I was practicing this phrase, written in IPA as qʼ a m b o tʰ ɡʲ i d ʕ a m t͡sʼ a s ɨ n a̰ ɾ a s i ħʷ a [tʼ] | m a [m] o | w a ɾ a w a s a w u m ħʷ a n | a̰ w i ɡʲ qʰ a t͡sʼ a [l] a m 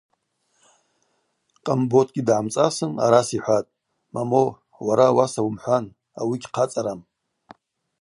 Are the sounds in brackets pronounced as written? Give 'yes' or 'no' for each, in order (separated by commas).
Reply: yes, yes, no